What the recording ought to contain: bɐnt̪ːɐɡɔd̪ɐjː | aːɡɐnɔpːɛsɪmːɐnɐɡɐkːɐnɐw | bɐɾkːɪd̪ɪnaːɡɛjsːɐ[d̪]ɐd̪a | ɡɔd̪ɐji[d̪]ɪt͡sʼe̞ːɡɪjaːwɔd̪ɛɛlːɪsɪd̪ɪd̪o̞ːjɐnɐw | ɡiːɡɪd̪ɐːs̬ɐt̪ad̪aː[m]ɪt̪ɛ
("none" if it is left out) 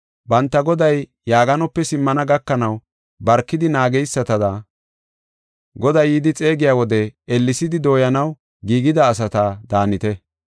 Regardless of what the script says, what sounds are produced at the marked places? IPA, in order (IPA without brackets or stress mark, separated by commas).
t̪, d̪, n